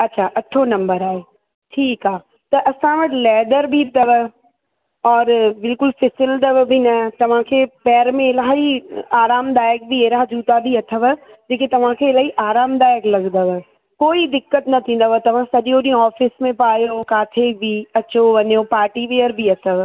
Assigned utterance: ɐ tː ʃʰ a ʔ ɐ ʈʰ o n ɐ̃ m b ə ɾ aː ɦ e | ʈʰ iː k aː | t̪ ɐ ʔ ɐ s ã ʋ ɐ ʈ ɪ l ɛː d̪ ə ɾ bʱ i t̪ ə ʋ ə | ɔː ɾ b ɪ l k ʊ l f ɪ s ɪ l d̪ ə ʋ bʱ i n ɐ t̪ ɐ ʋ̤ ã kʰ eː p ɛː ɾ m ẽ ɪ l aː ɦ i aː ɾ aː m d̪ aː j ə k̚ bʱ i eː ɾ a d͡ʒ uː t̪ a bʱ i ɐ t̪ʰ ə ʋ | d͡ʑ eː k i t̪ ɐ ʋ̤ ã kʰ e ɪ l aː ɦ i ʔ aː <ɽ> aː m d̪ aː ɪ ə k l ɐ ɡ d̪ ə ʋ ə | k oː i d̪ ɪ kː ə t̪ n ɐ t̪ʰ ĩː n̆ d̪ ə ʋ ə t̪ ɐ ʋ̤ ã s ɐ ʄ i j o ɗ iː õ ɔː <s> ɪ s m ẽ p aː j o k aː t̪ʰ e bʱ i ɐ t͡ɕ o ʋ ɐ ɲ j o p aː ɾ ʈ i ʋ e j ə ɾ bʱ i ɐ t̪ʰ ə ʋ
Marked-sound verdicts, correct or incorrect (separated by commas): incorrect, incorrect